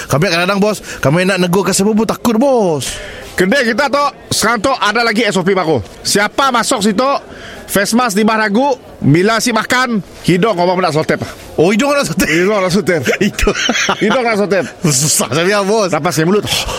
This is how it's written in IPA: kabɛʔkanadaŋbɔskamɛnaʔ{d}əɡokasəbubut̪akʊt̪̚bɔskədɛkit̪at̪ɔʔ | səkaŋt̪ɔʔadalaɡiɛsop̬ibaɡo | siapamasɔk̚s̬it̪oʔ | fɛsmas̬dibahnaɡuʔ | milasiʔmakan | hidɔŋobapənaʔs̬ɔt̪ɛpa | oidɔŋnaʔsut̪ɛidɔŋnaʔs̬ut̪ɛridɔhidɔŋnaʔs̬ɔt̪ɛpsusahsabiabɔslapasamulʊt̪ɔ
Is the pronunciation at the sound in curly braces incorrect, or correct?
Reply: incorrect